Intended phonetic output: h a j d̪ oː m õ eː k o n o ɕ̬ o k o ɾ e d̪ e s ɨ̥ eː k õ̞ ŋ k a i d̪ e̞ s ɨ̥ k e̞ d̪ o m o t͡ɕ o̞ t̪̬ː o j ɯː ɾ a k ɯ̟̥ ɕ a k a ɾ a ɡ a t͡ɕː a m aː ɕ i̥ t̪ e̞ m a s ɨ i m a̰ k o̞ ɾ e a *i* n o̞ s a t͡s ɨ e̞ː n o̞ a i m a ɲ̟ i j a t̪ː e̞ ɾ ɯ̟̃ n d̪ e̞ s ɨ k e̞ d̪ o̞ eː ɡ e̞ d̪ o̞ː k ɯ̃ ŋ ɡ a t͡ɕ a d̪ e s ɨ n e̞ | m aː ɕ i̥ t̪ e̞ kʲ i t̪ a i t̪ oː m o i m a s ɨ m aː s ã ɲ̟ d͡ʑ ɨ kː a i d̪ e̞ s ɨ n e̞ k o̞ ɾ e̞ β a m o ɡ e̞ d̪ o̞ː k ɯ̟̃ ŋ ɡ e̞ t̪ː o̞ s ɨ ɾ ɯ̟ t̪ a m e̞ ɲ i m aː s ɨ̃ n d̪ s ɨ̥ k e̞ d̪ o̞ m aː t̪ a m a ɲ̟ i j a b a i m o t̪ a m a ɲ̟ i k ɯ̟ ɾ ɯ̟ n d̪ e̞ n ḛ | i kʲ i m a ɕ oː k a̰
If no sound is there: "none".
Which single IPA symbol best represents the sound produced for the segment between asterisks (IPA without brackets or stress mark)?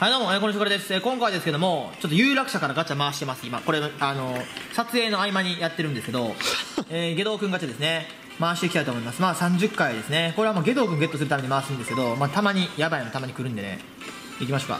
a